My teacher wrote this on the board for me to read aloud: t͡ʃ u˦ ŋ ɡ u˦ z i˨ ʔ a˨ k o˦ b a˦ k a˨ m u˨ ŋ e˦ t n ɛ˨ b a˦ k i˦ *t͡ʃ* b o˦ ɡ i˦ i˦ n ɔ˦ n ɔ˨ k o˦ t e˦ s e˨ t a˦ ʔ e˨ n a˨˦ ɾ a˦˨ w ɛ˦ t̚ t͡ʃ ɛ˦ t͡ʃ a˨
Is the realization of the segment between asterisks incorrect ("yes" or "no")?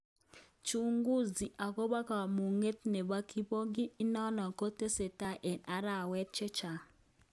yes